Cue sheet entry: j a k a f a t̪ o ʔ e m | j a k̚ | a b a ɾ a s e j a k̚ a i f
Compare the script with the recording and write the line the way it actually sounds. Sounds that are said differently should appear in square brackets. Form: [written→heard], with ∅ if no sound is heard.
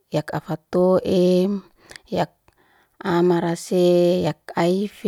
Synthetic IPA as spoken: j a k a f a t̪ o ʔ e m | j a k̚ | a [b→m] a ɾ a s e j a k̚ a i f